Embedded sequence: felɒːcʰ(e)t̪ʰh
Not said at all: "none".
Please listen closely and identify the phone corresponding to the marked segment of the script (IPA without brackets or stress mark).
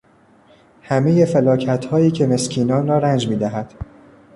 æ